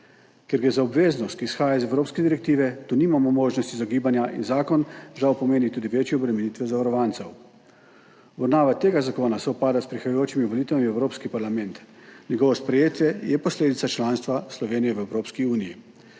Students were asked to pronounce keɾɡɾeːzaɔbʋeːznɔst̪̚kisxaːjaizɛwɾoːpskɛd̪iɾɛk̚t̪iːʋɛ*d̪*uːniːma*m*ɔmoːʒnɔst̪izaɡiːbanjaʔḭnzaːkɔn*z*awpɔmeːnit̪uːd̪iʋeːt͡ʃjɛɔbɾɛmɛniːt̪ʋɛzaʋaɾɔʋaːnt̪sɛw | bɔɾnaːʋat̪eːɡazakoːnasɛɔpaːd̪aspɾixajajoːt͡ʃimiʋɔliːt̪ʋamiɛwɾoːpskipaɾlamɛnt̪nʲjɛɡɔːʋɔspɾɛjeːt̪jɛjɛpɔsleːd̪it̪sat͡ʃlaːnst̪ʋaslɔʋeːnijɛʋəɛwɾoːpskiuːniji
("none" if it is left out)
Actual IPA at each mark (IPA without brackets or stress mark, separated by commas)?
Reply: t̪, m, ʒ